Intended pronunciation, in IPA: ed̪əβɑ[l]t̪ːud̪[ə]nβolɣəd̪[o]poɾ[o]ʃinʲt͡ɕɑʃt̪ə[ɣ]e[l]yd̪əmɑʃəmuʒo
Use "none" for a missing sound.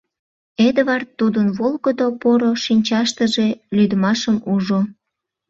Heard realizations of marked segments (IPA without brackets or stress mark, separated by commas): r, ə, o, o, ʒ, l